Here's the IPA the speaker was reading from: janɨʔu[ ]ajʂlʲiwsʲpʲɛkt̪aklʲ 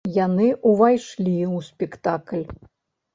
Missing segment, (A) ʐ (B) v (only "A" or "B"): B